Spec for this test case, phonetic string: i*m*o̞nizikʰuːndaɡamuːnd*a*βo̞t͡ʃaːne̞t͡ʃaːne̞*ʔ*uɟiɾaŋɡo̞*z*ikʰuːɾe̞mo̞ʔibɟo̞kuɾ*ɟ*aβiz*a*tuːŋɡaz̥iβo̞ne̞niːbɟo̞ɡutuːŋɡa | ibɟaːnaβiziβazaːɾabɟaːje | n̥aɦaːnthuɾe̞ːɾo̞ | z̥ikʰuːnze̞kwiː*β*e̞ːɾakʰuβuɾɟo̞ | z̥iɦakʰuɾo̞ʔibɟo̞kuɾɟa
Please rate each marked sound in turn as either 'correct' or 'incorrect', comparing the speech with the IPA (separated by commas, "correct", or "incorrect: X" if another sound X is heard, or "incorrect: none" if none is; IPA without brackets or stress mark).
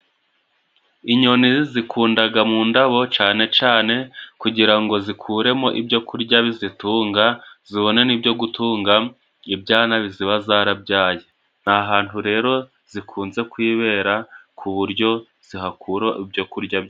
incorrect: ɲ, correct, incorrect: k, correct, correct, incorrect: i, correct